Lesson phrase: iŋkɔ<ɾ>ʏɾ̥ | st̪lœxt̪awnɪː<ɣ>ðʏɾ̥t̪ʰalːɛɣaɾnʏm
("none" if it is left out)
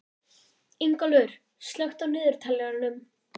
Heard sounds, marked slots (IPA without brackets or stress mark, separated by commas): l, none